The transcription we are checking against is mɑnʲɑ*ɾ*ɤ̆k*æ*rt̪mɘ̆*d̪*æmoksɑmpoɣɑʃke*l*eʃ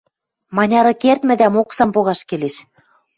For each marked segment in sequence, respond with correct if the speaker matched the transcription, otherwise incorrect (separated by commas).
correct, incorrect, correct, correct